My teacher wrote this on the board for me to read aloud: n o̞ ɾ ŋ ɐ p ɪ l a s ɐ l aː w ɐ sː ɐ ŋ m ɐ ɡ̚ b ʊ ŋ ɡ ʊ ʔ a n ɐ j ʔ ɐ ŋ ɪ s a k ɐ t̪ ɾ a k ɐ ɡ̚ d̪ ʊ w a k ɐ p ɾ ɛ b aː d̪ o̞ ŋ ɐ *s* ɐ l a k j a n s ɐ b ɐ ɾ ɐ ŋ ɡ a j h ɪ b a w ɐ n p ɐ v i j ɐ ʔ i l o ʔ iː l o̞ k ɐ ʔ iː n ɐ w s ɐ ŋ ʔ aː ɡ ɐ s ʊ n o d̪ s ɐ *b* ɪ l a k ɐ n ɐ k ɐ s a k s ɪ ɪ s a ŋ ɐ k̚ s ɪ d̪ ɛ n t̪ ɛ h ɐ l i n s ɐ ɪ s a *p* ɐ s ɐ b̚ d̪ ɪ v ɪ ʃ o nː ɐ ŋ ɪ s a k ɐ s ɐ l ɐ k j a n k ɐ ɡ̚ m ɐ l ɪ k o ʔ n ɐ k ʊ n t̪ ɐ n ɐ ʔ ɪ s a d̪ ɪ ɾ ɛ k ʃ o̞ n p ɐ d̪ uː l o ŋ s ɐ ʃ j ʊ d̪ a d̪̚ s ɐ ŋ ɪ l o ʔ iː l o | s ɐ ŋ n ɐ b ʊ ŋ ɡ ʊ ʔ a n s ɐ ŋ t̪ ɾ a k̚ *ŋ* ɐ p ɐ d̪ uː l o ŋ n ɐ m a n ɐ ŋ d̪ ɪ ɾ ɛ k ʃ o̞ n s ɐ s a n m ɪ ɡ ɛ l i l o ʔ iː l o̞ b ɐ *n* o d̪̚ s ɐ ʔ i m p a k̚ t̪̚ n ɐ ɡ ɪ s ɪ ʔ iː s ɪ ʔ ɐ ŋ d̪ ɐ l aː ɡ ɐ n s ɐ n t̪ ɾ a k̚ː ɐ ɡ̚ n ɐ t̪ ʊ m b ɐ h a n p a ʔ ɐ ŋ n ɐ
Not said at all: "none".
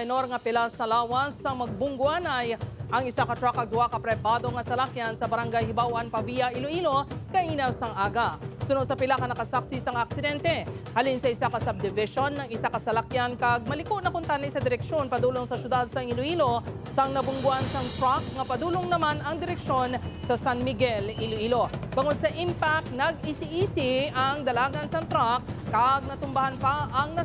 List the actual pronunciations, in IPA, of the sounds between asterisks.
s, p, k, ŋ, ŋ

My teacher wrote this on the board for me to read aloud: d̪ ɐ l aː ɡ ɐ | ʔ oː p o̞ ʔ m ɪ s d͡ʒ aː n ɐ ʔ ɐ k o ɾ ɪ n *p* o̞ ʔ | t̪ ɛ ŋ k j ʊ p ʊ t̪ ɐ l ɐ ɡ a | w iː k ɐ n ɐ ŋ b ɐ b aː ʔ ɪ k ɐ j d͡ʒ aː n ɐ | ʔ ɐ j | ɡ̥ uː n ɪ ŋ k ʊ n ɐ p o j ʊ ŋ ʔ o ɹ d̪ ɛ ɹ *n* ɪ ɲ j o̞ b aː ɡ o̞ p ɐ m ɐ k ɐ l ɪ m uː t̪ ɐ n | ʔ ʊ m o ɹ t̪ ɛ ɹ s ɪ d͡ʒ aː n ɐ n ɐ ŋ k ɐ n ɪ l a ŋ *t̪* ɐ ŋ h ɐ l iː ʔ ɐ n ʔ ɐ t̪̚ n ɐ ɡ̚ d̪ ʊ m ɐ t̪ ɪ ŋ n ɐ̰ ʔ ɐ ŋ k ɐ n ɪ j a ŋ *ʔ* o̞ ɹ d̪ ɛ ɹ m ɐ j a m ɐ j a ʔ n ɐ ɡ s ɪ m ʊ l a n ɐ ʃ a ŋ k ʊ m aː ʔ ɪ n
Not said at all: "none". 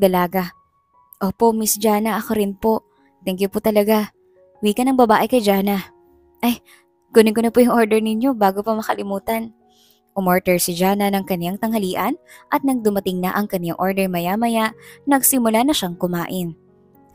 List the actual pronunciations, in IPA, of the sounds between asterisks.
p, n, t̪, ʔ

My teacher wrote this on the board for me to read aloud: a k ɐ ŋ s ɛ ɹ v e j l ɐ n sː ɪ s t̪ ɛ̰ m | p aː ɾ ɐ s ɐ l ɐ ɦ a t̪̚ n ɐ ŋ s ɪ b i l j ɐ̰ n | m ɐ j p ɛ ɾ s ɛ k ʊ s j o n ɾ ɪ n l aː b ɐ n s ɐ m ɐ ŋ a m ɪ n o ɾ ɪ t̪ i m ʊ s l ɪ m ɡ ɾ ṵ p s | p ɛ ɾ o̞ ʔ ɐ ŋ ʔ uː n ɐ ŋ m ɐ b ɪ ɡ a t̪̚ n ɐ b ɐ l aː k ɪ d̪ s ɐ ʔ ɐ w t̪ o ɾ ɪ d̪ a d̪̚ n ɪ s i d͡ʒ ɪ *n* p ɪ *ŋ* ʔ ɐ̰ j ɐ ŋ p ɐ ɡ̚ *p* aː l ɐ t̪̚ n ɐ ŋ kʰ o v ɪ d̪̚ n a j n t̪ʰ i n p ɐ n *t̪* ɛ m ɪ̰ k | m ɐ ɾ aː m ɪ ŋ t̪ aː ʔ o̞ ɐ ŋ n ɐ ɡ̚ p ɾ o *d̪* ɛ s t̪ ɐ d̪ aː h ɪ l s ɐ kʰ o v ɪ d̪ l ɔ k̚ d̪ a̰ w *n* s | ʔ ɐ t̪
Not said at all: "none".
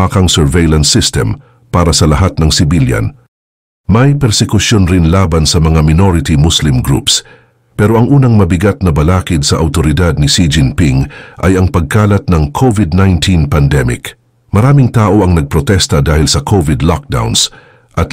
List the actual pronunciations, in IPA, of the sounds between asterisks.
n, ŋ, k, d̪, t̪, n

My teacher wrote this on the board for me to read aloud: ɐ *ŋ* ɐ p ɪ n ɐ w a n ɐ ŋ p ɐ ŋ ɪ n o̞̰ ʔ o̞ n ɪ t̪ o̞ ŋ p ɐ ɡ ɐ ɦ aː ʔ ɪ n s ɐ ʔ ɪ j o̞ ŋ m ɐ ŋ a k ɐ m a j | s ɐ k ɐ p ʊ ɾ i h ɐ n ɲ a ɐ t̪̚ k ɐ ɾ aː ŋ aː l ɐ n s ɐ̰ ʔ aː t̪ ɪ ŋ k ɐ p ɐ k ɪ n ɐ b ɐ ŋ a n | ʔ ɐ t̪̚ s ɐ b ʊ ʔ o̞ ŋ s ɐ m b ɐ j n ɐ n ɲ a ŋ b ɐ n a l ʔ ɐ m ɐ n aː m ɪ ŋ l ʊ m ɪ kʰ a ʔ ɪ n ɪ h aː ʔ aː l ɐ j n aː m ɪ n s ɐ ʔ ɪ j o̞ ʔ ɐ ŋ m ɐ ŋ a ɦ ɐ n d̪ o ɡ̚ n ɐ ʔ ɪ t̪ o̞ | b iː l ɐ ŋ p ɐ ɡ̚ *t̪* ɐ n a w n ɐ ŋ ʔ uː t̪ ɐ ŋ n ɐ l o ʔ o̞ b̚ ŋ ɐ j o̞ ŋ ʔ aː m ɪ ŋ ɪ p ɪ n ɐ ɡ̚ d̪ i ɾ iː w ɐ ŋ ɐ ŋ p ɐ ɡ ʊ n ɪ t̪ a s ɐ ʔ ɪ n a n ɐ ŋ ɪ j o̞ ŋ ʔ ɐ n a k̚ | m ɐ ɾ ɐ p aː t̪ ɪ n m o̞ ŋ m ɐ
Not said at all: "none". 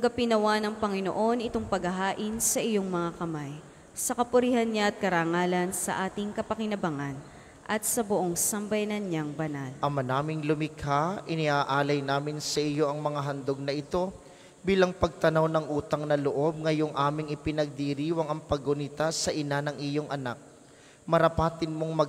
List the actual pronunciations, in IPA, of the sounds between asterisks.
ɡ, t̪

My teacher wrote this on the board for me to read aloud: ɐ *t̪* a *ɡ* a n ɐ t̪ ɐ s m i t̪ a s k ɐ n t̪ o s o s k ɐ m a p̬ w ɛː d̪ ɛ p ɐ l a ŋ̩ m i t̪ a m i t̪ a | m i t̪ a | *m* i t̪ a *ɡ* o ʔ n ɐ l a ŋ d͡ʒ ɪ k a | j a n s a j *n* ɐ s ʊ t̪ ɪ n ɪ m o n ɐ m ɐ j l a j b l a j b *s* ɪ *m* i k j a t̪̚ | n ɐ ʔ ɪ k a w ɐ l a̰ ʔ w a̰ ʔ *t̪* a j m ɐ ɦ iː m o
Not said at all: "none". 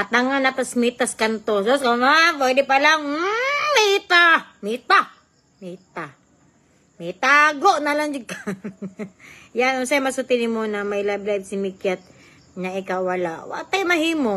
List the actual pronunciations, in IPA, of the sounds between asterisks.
t̪, ŋ, m, ɡ, m, s, m, t̪

